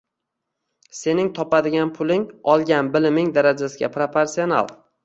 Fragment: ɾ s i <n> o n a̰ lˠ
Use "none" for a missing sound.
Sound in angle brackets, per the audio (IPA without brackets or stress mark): none